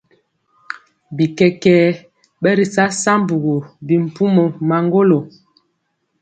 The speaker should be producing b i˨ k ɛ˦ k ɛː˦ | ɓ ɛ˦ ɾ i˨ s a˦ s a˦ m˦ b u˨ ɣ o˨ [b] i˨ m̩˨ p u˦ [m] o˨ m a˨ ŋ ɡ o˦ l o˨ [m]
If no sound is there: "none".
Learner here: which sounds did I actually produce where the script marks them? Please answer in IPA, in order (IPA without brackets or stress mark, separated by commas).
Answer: b, m, none